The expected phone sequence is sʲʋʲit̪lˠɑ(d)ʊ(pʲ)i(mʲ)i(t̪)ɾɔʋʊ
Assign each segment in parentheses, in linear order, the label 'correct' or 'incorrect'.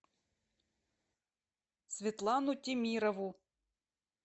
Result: incorrect, incorrect, correct, incorrect

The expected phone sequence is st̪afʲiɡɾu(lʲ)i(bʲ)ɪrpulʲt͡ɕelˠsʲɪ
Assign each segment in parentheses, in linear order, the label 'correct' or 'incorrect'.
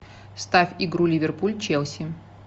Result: correct, incorrect

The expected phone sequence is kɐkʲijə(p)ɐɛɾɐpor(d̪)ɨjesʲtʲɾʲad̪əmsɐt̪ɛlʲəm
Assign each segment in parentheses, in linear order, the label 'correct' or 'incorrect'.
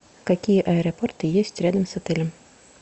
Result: incorrect, incorrect

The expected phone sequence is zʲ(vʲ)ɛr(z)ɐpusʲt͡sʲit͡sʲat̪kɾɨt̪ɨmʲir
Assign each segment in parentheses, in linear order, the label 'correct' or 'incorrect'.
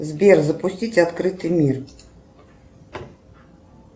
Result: incorrect, correct

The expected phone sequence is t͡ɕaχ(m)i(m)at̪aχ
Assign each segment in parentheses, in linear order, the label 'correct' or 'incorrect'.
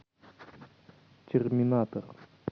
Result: correct, incorrect

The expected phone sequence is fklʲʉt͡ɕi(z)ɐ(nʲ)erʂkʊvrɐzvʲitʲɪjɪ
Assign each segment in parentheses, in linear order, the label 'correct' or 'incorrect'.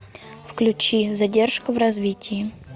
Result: correct, incorrect

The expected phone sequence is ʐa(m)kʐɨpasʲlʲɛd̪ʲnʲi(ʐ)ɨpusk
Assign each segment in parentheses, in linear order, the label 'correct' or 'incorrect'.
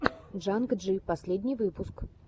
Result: incorrect, incorrect

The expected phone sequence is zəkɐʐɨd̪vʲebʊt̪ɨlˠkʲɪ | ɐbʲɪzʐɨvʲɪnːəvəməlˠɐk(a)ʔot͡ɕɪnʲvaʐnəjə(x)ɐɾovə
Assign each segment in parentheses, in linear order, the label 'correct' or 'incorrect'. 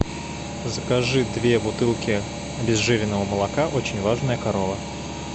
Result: correct, incorrect

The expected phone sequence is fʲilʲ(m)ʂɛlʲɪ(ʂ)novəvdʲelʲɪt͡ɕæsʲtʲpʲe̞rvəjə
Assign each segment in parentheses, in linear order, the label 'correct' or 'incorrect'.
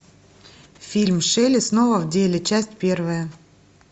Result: correct, incorrect

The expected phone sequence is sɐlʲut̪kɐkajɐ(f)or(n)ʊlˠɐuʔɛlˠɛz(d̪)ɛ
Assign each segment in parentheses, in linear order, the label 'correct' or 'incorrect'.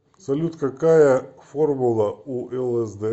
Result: correct, incorrect, correct

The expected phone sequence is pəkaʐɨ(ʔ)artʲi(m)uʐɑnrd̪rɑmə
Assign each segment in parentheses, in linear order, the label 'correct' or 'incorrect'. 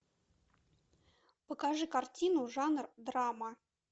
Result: incorrect, incorrect

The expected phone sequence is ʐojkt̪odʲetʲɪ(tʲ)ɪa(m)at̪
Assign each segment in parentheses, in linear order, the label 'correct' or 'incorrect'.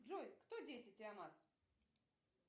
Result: correct, correct

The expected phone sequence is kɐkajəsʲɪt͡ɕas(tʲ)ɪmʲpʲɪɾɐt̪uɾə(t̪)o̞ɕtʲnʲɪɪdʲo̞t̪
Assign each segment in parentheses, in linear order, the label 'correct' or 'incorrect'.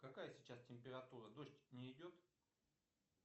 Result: correct, incorrect

